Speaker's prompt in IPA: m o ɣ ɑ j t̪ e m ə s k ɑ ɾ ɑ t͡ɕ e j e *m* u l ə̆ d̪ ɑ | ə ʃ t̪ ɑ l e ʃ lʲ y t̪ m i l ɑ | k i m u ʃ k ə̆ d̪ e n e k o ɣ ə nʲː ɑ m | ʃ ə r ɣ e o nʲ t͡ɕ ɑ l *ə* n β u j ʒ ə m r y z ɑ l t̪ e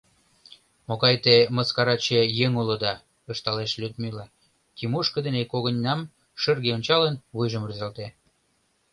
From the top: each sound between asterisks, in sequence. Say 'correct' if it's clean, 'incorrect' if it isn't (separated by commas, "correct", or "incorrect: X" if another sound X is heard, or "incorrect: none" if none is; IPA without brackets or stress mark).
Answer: incorrect: ŋ, correct